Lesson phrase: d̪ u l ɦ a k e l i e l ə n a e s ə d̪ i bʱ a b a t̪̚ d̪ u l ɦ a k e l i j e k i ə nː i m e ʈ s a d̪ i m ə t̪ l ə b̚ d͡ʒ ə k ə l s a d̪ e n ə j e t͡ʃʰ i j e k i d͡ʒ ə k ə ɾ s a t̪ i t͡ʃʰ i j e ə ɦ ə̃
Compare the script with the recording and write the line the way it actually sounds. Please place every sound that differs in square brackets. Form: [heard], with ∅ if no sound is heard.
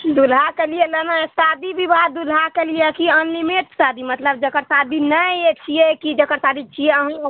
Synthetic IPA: d̪ u l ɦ a k e l i e l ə n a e s [a] d̪ i bʱ [i] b a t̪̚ d̪ u l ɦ a k e l i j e k i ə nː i m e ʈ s a d̪ i m ə t̪ l ə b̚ d͡ʒ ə k ə [ɾ] s a d̪ [i] n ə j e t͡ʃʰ i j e k i d͡ʒ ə k ə ɾ s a [d̪] i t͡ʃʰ i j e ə ɦ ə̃